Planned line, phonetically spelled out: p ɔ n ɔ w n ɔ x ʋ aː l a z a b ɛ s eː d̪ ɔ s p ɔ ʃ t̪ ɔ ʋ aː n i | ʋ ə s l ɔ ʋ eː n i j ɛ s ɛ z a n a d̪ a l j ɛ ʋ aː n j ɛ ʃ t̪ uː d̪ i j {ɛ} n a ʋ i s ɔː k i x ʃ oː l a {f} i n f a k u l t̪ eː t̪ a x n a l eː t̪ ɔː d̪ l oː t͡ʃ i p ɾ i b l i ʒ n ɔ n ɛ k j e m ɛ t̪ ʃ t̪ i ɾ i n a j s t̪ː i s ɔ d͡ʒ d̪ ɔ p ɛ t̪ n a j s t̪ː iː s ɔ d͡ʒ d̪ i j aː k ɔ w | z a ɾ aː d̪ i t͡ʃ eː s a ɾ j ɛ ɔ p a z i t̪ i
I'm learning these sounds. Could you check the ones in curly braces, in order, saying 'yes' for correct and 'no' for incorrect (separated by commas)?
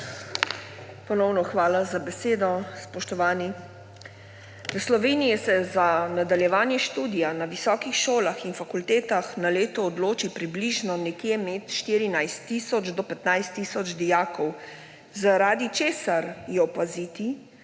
no, no